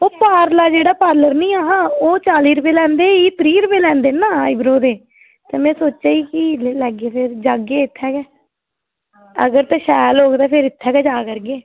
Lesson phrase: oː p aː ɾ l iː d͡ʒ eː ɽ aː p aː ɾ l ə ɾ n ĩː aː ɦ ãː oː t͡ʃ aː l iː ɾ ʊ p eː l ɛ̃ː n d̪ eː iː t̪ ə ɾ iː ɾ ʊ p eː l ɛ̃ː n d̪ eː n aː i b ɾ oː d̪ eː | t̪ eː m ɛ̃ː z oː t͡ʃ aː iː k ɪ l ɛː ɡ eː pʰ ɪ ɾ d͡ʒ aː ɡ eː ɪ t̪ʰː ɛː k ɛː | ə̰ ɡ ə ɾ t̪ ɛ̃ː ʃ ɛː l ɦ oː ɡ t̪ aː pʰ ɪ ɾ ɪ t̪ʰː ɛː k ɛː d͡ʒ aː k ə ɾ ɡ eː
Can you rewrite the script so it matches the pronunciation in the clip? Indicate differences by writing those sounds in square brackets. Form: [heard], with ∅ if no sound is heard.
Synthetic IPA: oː p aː ɾ l [aː] d͡ʒ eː ɽ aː p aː ɾ l ə ɾ n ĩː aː ɦ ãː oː t͡ʃ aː l iː ɾ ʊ p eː l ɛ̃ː n d̪ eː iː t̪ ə ɾ iː ɾ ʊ p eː l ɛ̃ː n d̪ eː n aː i b ɾ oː d̪ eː | t̪ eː m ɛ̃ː [s] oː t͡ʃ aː iː k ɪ l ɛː ɡ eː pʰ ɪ ɾ d͡ʒ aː ɡ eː ɪ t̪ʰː ɛː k ɛː | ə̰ ɡ ə ɾ t̪ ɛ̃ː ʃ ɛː l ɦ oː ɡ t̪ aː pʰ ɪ ɾ ɪ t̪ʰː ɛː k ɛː d͡ʒ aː k ə ɾ ɡ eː

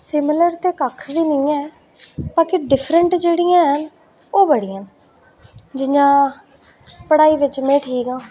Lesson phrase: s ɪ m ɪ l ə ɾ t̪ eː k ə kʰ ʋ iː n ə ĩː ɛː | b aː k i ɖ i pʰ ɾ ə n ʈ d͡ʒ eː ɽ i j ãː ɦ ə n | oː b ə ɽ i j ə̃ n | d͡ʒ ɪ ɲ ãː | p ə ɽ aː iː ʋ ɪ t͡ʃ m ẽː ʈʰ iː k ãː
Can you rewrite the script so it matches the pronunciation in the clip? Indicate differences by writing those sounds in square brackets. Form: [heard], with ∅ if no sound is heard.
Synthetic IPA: s ɪ m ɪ l ə ɾ t̪ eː k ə kʰ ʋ iː n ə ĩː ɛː | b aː k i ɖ [ɪ] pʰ ɾ ə [ɳ] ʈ d͡ʒ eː ɽ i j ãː ɦ ə n | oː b ə ɽ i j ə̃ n | d͡ʒ ɪ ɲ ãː | p ə ɽ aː iː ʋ ɪ t͡ʃ m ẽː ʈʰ iː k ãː

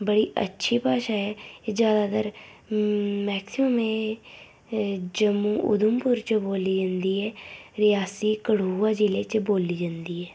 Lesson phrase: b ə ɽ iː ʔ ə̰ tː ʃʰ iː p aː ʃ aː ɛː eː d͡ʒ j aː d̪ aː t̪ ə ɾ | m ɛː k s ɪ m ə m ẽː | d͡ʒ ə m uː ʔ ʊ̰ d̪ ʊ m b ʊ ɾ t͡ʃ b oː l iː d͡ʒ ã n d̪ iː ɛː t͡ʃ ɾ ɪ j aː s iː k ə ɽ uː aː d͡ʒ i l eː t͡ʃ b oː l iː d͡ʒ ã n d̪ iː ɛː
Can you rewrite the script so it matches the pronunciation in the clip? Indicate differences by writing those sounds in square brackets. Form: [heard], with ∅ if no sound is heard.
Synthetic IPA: b ə ɽ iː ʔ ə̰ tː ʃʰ iː p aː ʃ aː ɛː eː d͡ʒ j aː d̪ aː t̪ ə ɾ | m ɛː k s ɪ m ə m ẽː | d͡ʒ ə m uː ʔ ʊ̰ d̪ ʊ m [p] ʊ ɾ t͡ʃ b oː l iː d͡ʒ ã n d̪ iː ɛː [∅] ɾ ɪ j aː s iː k ə ɽ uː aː d͡ʒ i l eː t͡ʃ b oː l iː d͡ʒ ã n d̪ iː ɛː

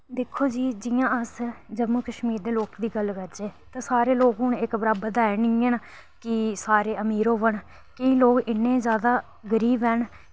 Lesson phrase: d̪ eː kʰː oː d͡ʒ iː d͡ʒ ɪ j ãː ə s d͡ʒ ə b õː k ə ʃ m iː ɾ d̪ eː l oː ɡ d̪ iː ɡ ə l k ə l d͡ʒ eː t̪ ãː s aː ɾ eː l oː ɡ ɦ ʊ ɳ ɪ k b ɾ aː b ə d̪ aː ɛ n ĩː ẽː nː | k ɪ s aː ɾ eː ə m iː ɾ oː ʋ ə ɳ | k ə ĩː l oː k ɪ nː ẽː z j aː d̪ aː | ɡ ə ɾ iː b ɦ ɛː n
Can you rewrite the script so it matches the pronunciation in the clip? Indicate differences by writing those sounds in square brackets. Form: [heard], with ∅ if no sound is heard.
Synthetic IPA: d̪ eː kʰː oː d͡ʒ iː d͡ʒ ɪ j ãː ə s d͡ʒ ə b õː k ə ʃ m iː ɾ d̪ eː l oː [k] d̪ iː ɡ ə l k ə [ɾ] d͡ʒ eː t̪ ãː s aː ɾ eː l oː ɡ ɦ ʊ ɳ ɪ k b ɾ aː b ə d̪ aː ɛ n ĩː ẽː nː | k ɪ s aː ɾ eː ə m iː ɾ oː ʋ ə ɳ | k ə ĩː l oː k ɪ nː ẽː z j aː d̪ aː | ɡ ə ɾ iː b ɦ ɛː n

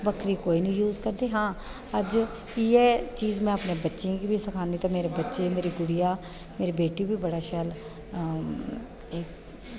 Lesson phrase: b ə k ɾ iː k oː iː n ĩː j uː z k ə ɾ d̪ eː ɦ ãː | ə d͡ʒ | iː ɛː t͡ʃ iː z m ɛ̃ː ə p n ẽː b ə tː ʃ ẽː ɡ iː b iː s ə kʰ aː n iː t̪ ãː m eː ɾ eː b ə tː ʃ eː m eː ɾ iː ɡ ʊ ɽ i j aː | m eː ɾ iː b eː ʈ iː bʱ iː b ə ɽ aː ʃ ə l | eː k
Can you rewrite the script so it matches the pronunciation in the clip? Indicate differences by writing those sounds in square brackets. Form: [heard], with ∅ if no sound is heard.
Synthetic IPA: b ə k ɾ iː k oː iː n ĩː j uː z k ə ɾ d̪ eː ɦ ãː | ə d͡ʒ | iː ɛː t͡ʃ iː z m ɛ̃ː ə p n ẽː b ə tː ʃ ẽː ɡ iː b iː s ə kʰ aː n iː t̪ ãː m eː ɾ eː b ə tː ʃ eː m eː ɾ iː ɡ ʊ ɽ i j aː | m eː ɾ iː b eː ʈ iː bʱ iː b ə ɽ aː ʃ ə l | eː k

